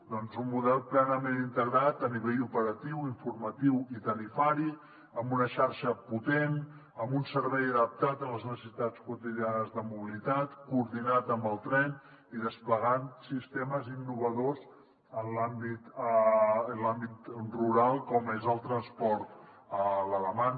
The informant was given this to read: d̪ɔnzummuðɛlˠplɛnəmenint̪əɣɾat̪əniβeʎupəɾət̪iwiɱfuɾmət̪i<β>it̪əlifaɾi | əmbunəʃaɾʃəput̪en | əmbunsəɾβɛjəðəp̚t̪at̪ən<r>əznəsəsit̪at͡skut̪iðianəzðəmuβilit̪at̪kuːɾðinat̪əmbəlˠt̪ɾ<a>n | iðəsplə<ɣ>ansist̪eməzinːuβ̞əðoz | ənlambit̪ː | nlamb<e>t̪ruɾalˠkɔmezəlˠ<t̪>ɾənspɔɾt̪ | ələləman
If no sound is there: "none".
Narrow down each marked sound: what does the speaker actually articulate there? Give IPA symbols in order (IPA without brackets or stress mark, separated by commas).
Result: w, l, ɛ, ɣ, i, t̪